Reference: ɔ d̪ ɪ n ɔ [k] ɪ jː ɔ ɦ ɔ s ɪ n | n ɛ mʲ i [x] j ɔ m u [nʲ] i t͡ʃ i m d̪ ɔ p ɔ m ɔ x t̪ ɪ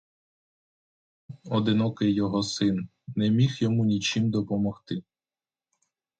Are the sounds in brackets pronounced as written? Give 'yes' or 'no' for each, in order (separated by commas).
yes, yes, yes